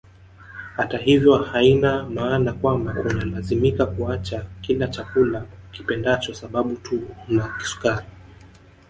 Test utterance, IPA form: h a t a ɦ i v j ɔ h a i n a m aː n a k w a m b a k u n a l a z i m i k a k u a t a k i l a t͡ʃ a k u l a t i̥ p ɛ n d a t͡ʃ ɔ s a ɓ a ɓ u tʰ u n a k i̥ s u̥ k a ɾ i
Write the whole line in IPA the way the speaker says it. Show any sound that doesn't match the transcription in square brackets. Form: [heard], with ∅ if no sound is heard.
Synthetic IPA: h a t a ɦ i v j ɔ h a i n a m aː n a k w a m b a k u n a l a z i m i k a k u a [t͡ʃ] a k i l a t͡ʃ a k u l a [k] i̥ p ɛ n d a t͡ʃ ɔ s a ɓ a ɓ u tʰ u n a k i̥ s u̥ k a ɾ i